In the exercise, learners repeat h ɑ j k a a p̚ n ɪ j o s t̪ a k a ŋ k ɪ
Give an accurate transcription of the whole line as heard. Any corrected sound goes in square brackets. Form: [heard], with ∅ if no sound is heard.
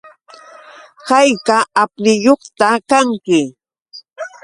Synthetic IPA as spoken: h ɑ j k a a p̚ n ɪ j o [χ] t̪ a k a ŋ k ɪ